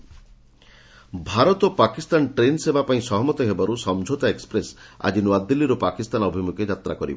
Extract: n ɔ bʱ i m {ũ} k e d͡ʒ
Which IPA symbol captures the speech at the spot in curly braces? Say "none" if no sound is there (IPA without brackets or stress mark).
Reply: u